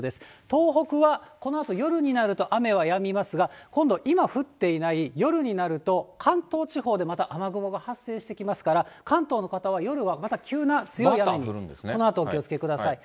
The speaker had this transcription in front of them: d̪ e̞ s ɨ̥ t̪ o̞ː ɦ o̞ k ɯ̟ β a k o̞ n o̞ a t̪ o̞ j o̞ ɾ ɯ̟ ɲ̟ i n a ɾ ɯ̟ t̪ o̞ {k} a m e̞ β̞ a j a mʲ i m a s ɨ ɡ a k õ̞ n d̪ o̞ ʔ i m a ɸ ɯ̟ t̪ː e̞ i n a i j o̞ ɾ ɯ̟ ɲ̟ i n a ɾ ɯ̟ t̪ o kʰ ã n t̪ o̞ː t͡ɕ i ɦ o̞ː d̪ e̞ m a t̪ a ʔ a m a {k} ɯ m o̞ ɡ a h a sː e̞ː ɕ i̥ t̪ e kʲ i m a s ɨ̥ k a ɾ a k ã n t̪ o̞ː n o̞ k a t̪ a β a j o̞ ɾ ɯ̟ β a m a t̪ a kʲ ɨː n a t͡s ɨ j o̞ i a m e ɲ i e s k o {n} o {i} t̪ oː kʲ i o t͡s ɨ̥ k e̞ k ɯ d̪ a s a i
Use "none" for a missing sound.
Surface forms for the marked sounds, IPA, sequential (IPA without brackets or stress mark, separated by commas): ʔ, ɡ, n, a